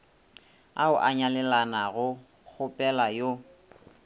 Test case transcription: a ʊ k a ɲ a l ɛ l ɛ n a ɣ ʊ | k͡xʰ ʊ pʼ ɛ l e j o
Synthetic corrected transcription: a ʊ ʔ a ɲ a l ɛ l a n a ɣ ʊ | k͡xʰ ʊ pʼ ɛ l a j o

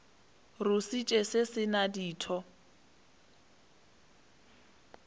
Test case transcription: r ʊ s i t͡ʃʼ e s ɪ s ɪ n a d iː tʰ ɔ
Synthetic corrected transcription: r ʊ s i t͡ʃʼ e s ɪ s ɪ n a d iː tʰ ɔ

